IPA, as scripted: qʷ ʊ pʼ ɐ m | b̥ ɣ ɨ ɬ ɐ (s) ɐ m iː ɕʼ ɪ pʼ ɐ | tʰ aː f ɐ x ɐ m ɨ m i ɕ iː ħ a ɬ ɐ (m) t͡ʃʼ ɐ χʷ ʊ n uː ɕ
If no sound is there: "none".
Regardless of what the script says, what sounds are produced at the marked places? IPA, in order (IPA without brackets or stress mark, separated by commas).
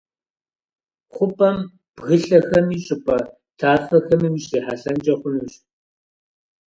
x, n